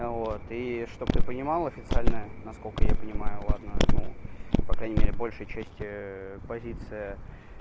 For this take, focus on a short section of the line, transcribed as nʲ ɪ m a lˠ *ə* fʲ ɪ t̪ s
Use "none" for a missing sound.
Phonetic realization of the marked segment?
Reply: ɐ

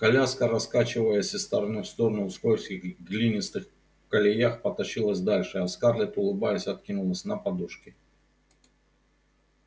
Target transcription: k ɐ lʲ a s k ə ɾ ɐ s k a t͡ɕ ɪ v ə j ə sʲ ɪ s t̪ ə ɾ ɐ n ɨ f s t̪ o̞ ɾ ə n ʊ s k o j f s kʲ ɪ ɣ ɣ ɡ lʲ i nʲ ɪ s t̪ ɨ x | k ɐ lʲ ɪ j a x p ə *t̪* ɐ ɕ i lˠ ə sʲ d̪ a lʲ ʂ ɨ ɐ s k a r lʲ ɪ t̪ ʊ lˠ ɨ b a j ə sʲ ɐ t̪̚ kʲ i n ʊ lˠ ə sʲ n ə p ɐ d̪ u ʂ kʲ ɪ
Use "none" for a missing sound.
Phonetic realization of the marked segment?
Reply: t̪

